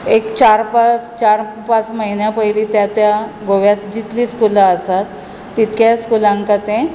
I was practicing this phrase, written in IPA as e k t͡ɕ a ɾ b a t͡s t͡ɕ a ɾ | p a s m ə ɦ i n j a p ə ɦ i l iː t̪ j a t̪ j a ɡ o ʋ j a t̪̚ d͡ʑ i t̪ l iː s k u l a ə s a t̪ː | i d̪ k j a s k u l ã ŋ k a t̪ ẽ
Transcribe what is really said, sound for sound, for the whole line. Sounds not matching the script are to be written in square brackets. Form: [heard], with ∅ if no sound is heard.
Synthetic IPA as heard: e k t͡ɕ a ɾ [p] a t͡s t͡ɕ a ɾ | p a [t͡s] m ə ɦ i n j a p ə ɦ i l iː t̪ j a t̪ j a ɡ o ʋ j a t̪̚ d͡ʑ i t̪ l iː s k u l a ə s a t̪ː | i [t̪] k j a s k u l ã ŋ k a t̪ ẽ